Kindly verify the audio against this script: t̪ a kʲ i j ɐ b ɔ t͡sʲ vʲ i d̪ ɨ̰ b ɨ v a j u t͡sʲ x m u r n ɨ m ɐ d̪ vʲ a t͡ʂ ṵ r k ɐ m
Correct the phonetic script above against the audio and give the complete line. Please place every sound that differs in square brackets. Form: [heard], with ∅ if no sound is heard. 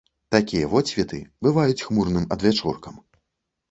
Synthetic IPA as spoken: t̪ a kʲ i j ɐ [v] ɔ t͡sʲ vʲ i [t̪] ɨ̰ b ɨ v a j u t͡sʲ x m u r n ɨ m ɐ d̪ vʲ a t͡ʂ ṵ r k ɐ m